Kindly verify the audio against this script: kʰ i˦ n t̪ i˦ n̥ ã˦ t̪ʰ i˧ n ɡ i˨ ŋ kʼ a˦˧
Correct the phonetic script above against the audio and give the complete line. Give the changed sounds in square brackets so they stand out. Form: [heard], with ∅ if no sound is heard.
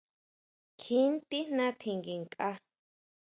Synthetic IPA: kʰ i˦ n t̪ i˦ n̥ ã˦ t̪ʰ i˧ [ŋ] ɡ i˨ ŋ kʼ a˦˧